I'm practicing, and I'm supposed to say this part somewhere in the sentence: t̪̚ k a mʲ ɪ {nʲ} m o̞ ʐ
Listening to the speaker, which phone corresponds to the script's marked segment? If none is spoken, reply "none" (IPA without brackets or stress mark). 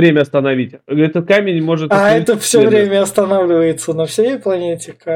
nʲ